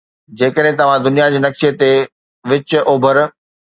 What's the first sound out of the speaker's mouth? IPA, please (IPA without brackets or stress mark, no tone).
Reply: d͡ʑ